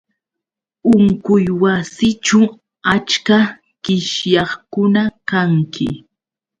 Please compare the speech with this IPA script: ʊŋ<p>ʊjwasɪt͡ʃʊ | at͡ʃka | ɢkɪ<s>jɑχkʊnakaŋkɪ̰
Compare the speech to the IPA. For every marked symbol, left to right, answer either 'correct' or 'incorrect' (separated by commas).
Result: incorrect, incorrect